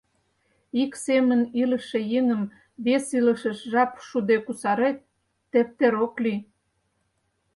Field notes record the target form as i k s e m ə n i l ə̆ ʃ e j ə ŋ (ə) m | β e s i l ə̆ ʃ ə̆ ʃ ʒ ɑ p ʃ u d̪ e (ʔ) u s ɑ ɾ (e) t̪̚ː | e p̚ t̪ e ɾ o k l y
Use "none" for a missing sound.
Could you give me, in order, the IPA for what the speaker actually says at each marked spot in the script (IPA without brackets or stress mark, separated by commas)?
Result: ə, k, e